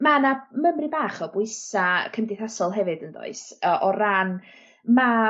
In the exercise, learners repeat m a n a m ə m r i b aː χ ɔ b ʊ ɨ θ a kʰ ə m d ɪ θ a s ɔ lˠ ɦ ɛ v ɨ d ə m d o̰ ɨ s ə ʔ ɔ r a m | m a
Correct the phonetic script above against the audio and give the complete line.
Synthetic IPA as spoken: m a n a m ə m r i b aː χ ɔ b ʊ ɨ s a kʰ ə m d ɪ θ a s ɔ lˠ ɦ ɛ v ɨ d ə n d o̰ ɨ s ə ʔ ɔ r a n | m a